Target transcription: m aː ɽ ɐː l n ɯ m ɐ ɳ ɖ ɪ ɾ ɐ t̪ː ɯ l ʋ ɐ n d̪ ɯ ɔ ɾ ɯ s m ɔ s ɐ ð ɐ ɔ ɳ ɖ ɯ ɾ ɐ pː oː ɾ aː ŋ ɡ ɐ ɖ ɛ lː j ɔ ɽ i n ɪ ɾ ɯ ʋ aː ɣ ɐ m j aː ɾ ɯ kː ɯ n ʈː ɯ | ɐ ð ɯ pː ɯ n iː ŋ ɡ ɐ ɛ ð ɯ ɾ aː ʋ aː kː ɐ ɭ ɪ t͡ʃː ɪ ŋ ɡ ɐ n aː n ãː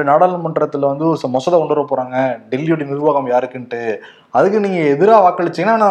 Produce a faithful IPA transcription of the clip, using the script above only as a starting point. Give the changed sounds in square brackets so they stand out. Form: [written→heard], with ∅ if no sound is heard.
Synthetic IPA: [m→n] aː ɽ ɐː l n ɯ m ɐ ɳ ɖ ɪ ɾ ɐ t̪ː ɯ l ʋ ɐ n d̪ ɯ ɔ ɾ ɯ s m ɔ s ɐ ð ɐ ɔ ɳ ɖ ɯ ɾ ɐ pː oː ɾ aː ŋ ɡ ɐ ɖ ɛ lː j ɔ ɽ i n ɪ ɾ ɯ ʋ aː ɣ ɐ m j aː ɾ ɯ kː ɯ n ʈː ɯ | ɐ ð ɯ [pː→kː] ɯ n iː ŋ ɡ ɐ ɛ ð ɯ ɾ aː ʋ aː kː ɐ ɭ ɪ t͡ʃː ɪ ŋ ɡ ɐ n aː n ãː